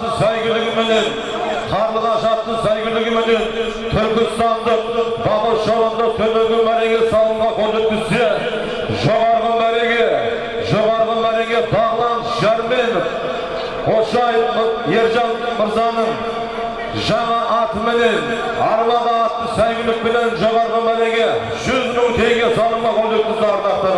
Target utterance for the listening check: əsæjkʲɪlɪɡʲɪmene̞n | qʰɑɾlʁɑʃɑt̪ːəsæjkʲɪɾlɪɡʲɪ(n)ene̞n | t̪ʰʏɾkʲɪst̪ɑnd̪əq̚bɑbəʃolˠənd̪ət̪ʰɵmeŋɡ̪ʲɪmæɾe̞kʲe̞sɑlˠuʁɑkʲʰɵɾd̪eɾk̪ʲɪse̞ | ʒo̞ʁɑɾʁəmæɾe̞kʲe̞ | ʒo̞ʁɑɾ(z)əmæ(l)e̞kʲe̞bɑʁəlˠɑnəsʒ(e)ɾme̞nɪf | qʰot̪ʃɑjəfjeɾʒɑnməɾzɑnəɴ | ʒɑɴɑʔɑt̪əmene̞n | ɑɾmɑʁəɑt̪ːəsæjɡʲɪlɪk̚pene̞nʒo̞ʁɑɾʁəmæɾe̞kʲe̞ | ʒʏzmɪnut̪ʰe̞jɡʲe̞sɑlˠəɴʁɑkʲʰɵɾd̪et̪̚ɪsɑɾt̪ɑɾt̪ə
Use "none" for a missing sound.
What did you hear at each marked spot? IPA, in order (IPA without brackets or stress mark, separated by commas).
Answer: m, ʁ, ɾ, æ